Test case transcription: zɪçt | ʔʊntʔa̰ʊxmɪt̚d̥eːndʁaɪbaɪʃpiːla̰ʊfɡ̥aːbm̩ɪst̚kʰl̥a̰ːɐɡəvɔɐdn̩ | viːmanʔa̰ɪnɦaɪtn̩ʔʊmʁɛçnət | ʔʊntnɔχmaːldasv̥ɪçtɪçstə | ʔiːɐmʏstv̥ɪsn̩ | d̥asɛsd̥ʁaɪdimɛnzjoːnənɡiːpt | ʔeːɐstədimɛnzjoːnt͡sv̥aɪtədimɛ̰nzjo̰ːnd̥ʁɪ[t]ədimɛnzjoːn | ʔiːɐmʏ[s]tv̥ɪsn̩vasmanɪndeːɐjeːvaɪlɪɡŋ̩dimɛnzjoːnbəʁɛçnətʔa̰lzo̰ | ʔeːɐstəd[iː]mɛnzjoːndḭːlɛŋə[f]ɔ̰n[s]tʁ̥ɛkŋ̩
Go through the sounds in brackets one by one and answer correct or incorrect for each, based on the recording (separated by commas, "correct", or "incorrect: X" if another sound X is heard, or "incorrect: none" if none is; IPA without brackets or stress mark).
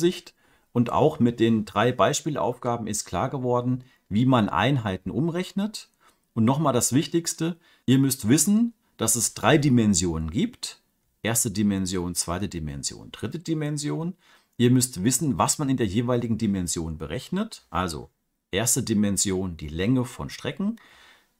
correct, correct, incorrect: i, correct, incorrect: ʃ